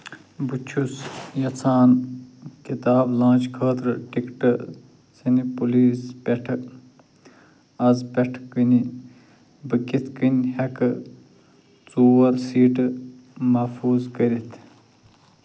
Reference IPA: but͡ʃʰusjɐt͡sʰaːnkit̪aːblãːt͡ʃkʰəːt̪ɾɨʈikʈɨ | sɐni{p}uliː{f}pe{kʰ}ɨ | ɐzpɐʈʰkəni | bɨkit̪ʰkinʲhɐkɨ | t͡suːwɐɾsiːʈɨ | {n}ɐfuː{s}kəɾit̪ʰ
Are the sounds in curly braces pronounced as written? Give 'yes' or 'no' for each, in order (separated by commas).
yes, no, no, no, no